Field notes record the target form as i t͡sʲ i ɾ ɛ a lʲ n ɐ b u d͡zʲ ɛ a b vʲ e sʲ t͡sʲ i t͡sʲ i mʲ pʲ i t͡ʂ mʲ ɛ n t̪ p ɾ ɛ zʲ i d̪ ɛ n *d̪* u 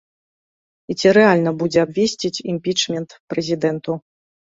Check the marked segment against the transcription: incorrect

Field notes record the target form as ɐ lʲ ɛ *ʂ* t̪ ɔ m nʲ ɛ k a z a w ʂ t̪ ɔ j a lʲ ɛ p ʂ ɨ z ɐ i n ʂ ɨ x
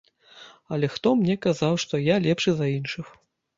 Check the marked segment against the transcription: incorrect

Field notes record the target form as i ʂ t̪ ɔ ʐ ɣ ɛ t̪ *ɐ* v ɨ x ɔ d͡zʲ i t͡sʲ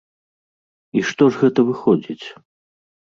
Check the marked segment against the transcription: correct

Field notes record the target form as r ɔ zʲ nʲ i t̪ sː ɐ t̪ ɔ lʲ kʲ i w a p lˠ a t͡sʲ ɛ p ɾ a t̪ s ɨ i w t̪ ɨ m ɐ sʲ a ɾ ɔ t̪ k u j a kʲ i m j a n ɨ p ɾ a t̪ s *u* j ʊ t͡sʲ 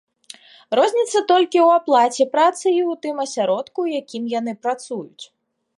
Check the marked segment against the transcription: correct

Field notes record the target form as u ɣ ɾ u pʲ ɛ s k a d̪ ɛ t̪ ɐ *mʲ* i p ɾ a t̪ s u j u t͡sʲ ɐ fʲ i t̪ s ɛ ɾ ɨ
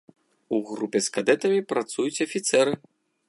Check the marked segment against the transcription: correct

